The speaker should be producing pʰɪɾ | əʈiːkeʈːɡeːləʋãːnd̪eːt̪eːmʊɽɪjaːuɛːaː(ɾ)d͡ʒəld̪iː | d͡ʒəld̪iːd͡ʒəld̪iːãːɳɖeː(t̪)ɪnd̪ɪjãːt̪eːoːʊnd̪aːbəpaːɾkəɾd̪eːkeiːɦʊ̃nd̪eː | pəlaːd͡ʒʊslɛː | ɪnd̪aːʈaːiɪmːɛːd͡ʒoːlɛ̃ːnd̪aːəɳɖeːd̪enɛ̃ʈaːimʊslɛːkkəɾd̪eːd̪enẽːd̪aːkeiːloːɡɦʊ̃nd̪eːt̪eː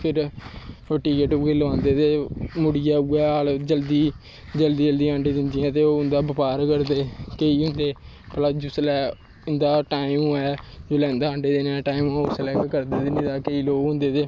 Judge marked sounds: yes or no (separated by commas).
no, no